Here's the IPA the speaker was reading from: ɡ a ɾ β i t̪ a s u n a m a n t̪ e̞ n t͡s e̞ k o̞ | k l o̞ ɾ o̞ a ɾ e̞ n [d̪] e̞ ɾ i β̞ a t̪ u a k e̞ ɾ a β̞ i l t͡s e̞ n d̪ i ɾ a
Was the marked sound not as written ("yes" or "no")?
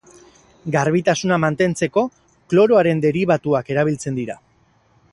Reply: no